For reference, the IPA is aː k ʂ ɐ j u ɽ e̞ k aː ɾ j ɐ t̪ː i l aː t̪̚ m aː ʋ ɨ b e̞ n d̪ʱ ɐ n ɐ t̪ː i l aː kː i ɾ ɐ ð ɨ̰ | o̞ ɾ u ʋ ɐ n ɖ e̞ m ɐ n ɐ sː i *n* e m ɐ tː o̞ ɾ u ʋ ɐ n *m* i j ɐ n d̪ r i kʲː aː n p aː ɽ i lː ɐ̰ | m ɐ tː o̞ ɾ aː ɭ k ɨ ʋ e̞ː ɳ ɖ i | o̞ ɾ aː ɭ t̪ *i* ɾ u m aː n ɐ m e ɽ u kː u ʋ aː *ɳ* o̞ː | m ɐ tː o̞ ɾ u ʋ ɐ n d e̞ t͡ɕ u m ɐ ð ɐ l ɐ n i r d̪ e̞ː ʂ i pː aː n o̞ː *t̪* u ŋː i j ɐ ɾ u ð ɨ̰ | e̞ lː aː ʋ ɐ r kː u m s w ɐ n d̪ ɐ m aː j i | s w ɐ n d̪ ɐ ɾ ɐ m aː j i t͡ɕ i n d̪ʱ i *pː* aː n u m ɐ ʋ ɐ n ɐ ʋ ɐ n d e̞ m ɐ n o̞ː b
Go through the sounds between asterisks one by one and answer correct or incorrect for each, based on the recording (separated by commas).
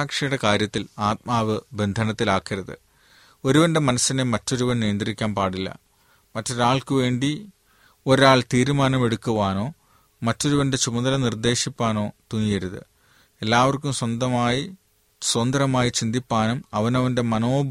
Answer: correct, incorrect, incorrect, incorrect, correct, correct